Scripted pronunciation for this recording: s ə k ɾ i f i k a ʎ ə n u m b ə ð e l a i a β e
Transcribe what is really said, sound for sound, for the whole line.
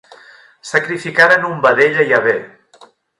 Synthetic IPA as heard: s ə k ɾ i f i k a ɾ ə n u m b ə ð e ʎ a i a β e